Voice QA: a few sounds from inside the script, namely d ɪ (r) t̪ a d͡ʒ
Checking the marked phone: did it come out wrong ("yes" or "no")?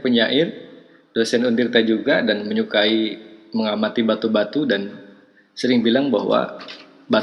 no